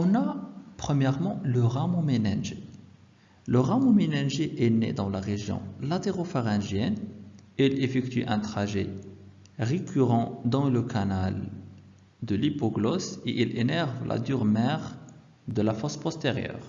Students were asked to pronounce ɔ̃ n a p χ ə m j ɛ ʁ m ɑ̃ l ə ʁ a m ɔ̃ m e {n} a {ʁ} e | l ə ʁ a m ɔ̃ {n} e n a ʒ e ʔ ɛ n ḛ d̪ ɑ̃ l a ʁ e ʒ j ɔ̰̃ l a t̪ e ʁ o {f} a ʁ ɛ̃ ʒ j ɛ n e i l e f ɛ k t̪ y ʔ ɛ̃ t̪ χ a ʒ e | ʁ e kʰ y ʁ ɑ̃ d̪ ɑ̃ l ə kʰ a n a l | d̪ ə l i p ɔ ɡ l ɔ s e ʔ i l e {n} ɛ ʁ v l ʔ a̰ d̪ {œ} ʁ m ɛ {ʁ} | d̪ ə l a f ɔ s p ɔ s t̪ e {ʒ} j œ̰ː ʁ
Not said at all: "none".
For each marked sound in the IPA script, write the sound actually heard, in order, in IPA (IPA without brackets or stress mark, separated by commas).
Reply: n, ʒ, m, f, n, y, ʁ, ʁ